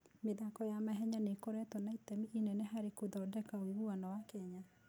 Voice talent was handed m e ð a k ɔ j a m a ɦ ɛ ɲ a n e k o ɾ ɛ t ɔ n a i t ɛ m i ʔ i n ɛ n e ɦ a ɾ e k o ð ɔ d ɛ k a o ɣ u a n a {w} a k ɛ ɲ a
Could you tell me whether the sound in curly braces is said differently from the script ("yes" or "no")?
no